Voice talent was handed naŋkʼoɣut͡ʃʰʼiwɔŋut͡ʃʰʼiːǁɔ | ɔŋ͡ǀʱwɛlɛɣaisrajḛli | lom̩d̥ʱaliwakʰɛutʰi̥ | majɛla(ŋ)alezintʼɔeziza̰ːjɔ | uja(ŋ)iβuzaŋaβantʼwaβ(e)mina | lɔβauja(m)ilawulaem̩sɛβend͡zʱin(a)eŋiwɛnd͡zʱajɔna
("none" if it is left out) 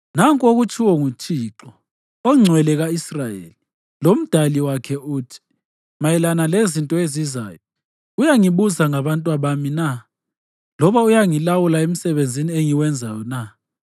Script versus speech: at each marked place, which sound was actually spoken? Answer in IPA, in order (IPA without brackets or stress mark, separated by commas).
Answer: n, ŋ, a, ŋ, i